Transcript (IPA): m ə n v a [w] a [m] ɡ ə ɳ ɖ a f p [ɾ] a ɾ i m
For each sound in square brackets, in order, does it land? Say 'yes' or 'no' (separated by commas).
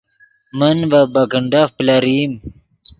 no, no, no